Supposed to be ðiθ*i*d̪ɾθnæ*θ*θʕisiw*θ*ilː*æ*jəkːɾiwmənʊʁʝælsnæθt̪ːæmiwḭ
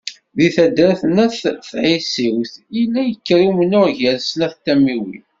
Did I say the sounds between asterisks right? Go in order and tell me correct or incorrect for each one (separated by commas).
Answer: incorrect, correct, correct, correct